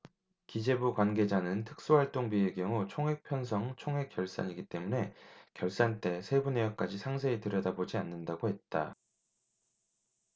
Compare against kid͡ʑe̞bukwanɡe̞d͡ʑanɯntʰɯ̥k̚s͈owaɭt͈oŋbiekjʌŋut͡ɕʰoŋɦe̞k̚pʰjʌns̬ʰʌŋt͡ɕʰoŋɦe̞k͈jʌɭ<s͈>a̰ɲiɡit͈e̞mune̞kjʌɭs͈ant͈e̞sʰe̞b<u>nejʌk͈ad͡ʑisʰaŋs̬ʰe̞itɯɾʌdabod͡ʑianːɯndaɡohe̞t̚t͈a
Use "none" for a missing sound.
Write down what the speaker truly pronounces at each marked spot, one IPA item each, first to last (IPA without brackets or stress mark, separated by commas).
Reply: s͈, u